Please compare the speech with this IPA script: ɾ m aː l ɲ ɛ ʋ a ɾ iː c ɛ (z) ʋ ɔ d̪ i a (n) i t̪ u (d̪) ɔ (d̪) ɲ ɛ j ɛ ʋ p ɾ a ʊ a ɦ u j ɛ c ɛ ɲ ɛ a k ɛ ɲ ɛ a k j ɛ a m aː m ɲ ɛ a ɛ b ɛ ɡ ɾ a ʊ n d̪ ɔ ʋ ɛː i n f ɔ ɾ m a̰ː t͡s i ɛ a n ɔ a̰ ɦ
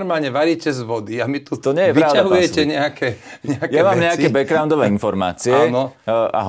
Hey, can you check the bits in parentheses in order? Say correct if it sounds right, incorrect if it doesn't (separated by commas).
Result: correct, incorrect, incorrect, incorrect